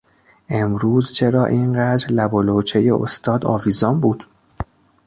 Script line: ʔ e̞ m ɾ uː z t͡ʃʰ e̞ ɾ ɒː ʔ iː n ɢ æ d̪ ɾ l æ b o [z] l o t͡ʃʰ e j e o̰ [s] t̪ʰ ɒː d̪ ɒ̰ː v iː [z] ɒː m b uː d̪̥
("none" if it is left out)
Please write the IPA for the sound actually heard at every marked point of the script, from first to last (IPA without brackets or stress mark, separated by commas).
none, s, z